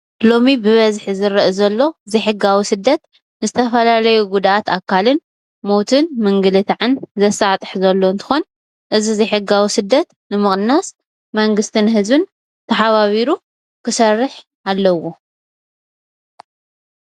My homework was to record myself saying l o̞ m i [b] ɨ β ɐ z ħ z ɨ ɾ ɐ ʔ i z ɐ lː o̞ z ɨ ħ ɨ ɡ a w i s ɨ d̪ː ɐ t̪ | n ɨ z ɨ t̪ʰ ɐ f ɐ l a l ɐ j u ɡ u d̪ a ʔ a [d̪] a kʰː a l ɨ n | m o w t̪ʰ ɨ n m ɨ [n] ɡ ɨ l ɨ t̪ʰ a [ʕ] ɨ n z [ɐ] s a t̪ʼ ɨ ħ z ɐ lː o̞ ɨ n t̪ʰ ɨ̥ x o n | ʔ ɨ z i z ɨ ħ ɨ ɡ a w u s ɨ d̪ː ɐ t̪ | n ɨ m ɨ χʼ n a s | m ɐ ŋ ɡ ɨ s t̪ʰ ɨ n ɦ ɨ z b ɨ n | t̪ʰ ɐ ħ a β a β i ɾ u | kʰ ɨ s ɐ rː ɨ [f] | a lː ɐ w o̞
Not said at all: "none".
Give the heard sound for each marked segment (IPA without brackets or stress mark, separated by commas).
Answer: b, t̪, ŋ, ʕ, ɐ, ħ